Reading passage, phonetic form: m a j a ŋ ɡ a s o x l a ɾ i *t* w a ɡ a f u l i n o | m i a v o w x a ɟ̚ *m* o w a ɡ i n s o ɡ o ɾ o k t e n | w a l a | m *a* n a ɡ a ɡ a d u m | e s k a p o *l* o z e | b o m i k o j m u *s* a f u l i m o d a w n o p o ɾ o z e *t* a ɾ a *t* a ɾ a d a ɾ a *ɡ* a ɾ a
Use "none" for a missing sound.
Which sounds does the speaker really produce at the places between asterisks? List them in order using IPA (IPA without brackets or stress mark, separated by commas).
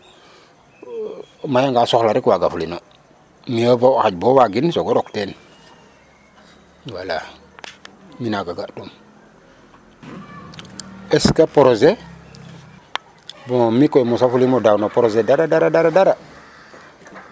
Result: k, b, i, ɾ, s, d, d, d